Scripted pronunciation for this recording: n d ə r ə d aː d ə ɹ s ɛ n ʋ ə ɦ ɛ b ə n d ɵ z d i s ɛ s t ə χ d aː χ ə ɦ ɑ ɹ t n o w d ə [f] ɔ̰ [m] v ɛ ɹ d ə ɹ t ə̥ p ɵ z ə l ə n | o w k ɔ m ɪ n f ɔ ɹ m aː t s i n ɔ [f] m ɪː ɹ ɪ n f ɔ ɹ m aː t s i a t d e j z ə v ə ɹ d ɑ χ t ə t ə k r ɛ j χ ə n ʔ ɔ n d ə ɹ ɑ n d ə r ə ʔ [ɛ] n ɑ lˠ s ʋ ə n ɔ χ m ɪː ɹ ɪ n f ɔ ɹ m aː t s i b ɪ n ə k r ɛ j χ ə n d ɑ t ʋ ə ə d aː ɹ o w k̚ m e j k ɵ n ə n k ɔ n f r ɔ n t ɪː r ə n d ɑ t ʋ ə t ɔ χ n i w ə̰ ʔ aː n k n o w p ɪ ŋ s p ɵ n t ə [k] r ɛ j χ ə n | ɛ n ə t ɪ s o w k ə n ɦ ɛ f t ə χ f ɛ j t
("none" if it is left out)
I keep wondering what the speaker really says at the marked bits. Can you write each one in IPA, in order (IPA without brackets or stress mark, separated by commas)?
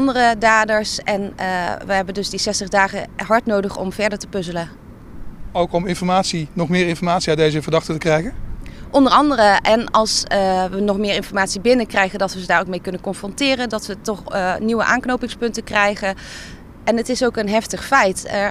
χ, m, χ, ɛ, k